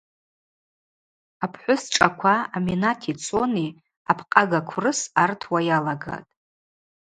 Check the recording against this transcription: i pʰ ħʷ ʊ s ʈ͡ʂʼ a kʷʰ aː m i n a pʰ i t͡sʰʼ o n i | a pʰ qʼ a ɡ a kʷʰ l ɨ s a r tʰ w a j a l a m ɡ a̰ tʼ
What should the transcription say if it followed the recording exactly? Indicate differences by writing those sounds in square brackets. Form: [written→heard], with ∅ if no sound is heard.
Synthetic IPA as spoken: [i→a] pʰ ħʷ ʊ s ʈ͡ʂʼ a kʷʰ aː m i n a [pʰ→tʰ] i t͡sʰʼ o n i | a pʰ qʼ a ɡ a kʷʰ [l→r] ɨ s a r tʰ w a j a l a [m→∅] ɡ a̰ tʼ